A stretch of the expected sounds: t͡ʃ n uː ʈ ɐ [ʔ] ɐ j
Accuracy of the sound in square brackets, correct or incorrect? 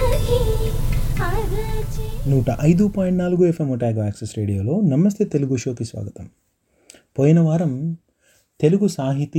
correct